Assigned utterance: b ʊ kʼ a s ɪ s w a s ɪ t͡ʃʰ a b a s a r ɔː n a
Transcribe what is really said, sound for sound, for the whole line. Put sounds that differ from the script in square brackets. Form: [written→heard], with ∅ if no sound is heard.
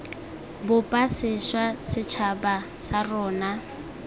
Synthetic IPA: b ʊ [kʼ→pʼ] a s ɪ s w a s ɪ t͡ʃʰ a b a s a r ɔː n a